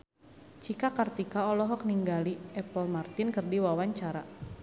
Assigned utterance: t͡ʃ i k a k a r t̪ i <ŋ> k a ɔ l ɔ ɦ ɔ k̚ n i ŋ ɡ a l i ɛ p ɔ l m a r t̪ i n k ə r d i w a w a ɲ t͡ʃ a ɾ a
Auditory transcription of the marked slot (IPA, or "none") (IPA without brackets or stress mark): none